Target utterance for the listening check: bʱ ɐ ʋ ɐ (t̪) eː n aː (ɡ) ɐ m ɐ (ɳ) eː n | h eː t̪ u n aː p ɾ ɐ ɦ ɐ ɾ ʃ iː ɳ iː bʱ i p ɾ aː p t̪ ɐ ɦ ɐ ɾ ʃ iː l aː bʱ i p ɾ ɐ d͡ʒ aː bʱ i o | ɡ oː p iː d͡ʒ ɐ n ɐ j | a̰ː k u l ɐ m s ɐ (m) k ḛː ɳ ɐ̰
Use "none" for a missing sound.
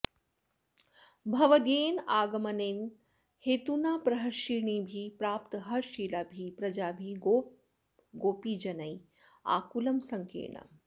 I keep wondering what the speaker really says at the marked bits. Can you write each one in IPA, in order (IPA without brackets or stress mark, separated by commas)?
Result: d̪, ɡ, n, ŋ